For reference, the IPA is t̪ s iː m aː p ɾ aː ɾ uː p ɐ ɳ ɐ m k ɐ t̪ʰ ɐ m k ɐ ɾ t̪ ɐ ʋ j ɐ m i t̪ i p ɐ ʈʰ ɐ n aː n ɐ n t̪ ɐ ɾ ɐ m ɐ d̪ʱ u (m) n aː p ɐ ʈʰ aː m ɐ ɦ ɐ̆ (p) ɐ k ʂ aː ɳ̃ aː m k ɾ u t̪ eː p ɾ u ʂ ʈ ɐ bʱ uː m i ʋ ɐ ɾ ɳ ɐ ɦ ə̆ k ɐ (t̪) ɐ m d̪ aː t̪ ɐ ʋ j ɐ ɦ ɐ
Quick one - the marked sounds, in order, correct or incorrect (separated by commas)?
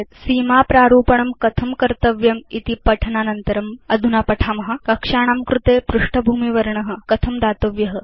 incorrect, incorrect, incorrect